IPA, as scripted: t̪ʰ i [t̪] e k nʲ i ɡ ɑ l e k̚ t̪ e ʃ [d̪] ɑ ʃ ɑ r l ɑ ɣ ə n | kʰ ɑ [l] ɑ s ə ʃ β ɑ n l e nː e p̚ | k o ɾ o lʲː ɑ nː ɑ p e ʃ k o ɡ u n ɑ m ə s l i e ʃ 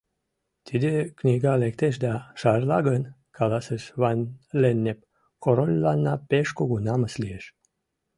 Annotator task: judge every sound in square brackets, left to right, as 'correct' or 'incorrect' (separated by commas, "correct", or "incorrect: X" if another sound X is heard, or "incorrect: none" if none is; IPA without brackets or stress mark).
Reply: incorrect: d̪, correct, correct